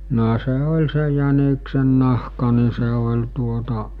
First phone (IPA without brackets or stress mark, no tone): n